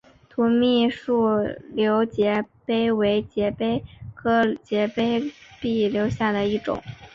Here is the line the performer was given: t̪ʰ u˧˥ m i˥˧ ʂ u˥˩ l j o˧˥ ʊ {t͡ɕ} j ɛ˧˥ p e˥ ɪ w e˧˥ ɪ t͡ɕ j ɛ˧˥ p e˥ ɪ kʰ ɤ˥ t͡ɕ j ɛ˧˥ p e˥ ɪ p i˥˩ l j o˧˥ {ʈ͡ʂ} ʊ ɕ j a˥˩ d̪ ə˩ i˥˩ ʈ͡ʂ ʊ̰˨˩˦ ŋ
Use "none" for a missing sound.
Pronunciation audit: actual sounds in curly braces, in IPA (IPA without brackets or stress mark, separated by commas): t͡ɕ, none